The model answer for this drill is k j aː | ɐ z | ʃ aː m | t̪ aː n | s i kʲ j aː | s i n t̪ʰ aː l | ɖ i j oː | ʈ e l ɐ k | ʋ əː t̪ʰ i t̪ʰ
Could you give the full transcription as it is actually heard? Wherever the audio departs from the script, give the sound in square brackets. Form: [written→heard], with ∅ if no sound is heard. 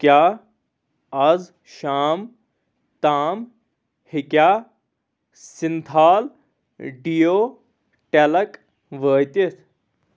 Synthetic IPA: k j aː | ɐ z | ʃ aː m | t̪ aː [n→m] | [s→h] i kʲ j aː | s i n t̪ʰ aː l | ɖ i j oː | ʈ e l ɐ k | ʋ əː [t̪ʰ→t̪] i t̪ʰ